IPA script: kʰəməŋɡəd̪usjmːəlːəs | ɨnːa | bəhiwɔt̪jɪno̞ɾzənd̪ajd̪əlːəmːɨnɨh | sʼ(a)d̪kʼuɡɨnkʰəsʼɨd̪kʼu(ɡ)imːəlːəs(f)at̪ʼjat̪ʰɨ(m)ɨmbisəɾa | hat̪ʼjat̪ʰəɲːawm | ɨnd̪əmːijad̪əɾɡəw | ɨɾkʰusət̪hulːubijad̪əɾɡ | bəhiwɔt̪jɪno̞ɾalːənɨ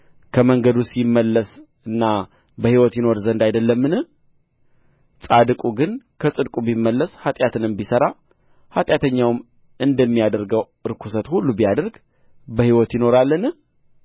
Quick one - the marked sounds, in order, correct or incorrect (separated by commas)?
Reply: correct, incorrect, incorrect, incorrect